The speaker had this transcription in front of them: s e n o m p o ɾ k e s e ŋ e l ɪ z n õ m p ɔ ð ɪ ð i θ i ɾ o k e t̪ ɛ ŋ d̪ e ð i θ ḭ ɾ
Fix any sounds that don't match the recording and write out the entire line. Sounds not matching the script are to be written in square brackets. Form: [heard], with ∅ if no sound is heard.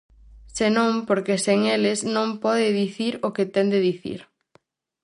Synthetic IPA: s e n [õ] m p o ɾ k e s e ŋ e l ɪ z n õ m p ɔ ð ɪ ð i θ i ɾ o k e t̪ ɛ [n] d̪ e ð i θ ḭ ɾ

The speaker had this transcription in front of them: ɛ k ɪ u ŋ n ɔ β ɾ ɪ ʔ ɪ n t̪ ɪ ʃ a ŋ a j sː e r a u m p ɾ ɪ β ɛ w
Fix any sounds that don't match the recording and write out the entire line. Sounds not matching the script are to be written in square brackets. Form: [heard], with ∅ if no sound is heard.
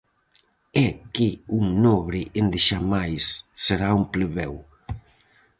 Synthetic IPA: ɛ k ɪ u ŋ n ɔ β ɾ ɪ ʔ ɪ n [d̪] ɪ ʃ a [m] a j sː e [ɾ] a u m p [l] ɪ β ɛ w

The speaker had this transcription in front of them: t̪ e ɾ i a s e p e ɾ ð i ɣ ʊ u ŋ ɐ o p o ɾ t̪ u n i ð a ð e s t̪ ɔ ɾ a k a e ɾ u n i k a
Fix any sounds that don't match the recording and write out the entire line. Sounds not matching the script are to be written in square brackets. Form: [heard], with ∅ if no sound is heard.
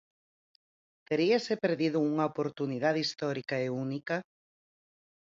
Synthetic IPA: t̪ e ɾ i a s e p e ɾ ð i [ð] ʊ u ŋ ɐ o p o ɾ t̪ u n i ð a ð [i] s t̪ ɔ ɾ [i] k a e [∅] u n i k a

